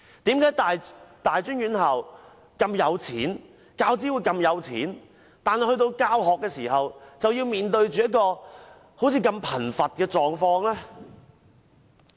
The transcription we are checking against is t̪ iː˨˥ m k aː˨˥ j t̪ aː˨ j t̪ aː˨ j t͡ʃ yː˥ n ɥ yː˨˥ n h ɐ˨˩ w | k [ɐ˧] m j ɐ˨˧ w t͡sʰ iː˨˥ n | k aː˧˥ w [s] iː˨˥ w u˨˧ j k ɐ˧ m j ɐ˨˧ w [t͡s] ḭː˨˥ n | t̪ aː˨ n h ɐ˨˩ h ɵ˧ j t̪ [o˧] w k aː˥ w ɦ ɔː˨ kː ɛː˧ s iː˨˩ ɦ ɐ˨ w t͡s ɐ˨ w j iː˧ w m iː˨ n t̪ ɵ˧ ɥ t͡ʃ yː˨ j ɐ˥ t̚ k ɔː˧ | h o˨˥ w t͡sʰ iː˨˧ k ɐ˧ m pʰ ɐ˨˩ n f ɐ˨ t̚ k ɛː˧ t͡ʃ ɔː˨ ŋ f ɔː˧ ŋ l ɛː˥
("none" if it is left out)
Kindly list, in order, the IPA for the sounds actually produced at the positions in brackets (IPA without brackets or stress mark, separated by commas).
ɐ˧, t͡s, t͡sʰ, o˧